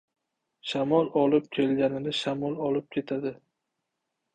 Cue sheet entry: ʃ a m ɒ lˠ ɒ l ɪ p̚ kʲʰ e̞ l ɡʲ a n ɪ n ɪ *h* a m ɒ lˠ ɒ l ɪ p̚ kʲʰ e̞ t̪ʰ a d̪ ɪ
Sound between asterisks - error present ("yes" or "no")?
yes